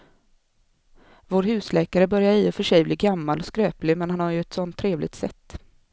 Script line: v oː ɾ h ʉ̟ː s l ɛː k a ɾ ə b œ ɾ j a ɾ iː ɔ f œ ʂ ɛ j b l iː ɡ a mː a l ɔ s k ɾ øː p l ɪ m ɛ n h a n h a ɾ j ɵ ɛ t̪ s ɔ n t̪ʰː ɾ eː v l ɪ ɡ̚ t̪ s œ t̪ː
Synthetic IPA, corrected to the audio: v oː ɾ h ʉ̟ː s l ɛː k a ɾ ə b œ ɾ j a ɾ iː ɔ f œ ʂ ɛ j b l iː ɡ a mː a l ɔ s k ɾ øː p l ɪ m ɛ n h a n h a ɾ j ɵ ɛ t̪ s ɔ n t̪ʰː ɾ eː v l ɪ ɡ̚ t̪ s ɛ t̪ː